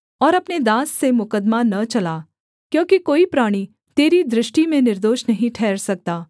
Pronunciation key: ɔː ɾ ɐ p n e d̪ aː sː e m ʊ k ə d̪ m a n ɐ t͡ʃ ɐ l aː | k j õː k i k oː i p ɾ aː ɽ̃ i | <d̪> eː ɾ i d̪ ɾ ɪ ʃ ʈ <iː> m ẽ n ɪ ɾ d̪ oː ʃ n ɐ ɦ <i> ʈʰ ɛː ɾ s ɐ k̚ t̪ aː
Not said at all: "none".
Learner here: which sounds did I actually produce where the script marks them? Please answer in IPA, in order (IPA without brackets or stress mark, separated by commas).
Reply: t̪, i, ĩ